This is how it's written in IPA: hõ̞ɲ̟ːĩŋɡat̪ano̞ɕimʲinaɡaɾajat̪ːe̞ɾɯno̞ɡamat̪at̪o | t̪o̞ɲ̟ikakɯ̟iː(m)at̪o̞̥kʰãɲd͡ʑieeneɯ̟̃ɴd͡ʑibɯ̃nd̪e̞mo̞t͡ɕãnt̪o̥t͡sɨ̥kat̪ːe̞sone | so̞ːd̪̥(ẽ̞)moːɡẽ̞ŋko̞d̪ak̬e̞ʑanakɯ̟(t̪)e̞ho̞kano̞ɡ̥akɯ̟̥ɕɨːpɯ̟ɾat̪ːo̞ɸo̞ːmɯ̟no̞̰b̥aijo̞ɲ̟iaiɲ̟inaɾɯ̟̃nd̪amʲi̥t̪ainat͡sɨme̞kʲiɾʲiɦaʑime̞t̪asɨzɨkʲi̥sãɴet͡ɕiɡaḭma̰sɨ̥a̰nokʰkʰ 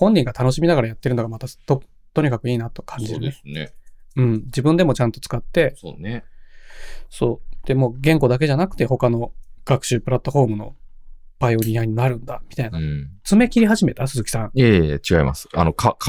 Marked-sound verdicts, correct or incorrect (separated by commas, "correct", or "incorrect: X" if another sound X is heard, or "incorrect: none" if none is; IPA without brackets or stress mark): incorrect: n, incorrect: e̞, correct